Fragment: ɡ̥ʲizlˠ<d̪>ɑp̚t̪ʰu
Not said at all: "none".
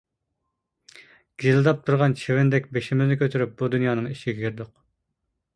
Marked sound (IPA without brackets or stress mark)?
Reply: d̪